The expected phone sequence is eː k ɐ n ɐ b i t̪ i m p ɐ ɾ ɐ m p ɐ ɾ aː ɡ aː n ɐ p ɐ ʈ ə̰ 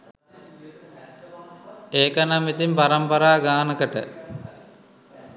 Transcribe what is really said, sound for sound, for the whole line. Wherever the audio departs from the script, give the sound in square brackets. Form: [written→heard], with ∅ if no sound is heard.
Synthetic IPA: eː k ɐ n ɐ [b→m] i t̪ i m p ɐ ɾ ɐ m p ɐ ɾ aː ɡ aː n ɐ [p→k] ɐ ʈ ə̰